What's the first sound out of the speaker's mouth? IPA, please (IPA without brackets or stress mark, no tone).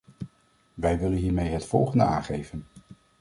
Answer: ʋ